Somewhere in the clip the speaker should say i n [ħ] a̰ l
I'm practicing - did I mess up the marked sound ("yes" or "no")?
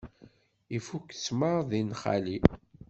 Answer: yes